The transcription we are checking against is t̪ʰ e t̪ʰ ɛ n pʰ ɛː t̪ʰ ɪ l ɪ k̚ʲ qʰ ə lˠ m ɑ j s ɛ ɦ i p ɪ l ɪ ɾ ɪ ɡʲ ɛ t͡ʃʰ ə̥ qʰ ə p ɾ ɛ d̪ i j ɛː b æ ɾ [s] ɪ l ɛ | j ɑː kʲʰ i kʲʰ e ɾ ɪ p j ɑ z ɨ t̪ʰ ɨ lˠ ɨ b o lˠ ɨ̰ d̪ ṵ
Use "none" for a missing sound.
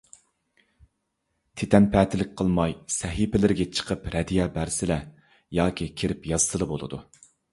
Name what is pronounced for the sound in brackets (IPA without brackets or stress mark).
s